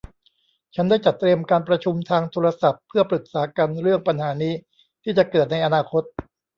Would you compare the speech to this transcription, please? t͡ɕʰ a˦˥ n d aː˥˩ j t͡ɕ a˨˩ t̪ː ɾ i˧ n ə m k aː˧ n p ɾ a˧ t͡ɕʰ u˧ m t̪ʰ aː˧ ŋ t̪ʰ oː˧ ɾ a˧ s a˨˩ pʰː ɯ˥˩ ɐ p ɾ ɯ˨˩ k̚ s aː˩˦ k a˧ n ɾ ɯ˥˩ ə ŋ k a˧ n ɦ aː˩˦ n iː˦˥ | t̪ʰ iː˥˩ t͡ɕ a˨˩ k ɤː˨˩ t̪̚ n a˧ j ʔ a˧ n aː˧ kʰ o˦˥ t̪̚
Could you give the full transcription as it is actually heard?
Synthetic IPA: t͡ɕʰ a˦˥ n d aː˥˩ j t͡ɕ a˨˩ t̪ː ɾ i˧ ə m k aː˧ n p ɾ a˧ t͡ɕʰ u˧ m t̪ʰ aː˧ ŋ t̪ʰ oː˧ ɾ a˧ s a˨˩ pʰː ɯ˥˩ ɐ p ɾ ɯ˨˩ k̚ s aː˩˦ k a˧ n ɾ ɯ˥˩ ə ŋ p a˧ n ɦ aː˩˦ n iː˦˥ | t̪ʰ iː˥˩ t͡ɕ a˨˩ k ɤː˨˩ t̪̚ n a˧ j ʔ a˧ n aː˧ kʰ o˦˥ t̪̚

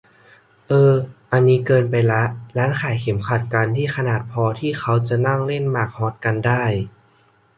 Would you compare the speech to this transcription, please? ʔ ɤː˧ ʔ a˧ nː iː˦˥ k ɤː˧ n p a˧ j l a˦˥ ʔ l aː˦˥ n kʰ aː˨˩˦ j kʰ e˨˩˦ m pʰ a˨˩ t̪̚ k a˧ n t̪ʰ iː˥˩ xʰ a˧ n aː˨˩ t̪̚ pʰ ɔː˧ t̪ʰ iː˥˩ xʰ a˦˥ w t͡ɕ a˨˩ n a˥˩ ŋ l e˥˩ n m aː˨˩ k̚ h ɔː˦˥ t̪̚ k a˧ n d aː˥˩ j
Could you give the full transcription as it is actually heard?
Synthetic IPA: ʔ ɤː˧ ʔ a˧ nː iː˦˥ k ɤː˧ n p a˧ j l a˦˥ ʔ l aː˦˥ n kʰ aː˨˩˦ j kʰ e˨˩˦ m kʰ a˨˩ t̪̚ k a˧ n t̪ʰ iː˥˩ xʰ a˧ n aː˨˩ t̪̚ pʰ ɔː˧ t̪ʰ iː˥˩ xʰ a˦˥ w t͡ɕ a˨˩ n a˥˩ ŋ l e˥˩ n m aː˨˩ k̚ h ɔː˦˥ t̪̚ k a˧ n d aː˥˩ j

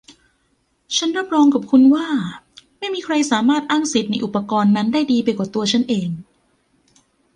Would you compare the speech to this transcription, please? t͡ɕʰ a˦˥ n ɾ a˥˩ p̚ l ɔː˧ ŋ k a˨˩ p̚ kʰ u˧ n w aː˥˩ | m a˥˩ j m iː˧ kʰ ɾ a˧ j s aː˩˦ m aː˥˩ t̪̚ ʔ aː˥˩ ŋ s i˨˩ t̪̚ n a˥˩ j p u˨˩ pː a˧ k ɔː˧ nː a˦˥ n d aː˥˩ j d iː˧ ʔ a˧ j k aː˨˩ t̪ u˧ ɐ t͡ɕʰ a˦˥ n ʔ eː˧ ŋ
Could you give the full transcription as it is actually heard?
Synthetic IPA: t͡ɕʰ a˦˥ n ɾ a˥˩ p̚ ɾ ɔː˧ ŋ k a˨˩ p̚ kʰ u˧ n w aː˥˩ | m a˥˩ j m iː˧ kʰ ɾ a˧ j s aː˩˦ m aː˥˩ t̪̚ ʔ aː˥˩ ŋ s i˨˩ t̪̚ n a˧ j ʔ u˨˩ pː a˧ k ɔː˧ nː a˦˥ n d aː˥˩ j d iː˧ p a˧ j k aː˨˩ t̪ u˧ ɐ t͡ɕʰ a˦˥ n ʔ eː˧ ŋ

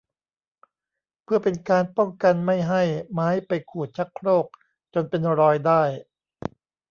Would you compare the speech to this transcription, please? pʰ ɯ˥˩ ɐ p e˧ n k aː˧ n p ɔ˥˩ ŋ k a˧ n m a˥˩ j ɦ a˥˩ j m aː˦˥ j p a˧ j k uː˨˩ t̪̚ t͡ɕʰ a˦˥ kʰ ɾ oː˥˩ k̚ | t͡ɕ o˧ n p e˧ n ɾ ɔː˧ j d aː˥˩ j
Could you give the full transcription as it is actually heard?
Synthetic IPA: pʰ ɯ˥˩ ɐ p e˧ n k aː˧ n p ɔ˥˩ ŋ k a˧ n m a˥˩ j ɦ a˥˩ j m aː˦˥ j p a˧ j kʰ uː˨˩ t̪̚ t͡ɕʰ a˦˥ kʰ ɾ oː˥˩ k̚ | t͡ɕ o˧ n p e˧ n ɾ ɔː˧ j d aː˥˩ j

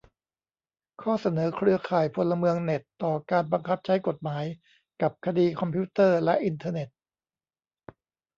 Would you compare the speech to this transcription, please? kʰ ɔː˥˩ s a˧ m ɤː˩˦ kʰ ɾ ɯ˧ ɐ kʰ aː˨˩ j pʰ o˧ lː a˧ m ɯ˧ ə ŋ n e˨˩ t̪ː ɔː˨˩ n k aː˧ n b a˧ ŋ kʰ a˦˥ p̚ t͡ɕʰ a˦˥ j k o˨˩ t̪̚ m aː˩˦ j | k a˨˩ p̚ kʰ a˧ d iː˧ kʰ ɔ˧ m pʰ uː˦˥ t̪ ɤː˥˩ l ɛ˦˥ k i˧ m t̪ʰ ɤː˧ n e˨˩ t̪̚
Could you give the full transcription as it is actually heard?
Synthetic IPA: kʰ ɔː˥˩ s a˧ n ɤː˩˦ kʰ ɾ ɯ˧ ɐ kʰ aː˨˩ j pʰ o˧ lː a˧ m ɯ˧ ə ŋ n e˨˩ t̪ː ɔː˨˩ k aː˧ n b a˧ ŋ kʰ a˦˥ p̚ t͡ɕʰ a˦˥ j k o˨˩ t̪̚ m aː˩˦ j | k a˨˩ p̚ kʰ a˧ d iː˧ kʰ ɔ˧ m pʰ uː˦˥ t̪ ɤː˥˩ l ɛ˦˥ ʔ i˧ n t̪ʰ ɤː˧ n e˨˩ t̪̚

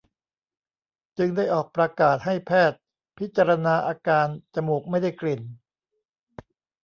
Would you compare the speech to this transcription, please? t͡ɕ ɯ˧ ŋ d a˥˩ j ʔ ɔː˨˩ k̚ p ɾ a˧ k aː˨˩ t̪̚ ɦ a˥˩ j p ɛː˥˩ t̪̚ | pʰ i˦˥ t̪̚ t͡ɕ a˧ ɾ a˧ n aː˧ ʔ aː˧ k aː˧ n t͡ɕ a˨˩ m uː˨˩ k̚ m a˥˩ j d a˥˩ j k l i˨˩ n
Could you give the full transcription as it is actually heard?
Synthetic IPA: t͡ɕ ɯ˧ ŋ d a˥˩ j ʔ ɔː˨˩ k̚ p ɾ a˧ k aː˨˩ t̪̚ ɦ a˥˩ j pʰ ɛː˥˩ t̪̚ | pʰ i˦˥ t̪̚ t͡ɕ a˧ ɾ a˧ n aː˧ ʔ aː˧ k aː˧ n t͡ɕ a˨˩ m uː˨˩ k̚ m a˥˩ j d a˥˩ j k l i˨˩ n

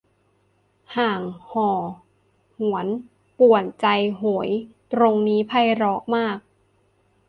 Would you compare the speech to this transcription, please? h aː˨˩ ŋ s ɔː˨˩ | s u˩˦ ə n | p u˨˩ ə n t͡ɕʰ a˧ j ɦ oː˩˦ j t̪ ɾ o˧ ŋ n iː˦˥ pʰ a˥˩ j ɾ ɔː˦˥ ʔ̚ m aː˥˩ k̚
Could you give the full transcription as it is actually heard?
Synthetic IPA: h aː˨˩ ŋ h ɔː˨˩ | h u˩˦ ə n | p u˨˩ ə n t͡ɕ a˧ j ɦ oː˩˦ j t̪ ɾ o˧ ŋ n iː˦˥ pʰ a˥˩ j ɾ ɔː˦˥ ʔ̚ m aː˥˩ k̚

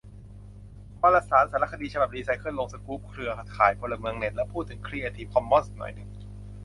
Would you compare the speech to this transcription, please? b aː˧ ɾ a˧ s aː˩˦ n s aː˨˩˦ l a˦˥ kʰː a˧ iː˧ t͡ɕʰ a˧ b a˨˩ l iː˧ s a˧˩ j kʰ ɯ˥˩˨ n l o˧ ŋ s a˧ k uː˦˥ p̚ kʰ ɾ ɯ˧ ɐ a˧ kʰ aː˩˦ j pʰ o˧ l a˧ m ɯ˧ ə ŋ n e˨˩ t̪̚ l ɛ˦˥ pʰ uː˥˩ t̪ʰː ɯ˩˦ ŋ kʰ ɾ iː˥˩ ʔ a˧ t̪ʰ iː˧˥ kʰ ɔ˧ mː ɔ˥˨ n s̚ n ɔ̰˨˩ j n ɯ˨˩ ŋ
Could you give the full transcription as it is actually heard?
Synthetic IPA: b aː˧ l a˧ s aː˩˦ n s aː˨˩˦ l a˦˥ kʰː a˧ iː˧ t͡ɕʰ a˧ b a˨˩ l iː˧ s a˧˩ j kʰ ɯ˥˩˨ n l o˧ ŋ s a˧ k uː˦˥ p̚ kʰ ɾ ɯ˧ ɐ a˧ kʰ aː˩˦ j pʰ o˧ l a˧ m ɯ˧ ə ŋ n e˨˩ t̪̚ l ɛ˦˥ pʰ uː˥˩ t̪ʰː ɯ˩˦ ŋ kʰ ɾ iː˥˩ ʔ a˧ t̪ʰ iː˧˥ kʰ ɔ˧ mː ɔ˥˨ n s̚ n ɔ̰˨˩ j n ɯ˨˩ ŋ

